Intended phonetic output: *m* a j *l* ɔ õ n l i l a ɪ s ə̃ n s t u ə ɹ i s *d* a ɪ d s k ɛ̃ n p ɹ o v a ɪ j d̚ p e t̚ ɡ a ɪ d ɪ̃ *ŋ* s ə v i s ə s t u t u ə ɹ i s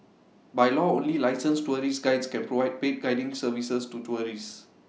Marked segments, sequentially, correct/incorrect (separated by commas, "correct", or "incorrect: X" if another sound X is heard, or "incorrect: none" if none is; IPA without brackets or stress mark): incorrect: b, correct, incorrect: ɡ, correct